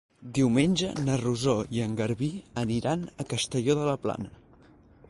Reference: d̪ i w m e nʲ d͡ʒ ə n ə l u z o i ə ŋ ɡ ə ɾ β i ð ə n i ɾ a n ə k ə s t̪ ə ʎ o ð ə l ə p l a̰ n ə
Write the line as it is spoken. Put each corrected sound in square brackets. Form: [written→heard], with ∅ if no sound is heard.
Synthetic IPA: d̪ i w m e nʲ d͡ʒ ə n ə [l→r] u z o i ə ŋ ɡ ə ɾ β i [ð→∅] ə n i ɾ a n ə k ə s t̪ ə ʎ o ð ə l ə p l a̰ n ə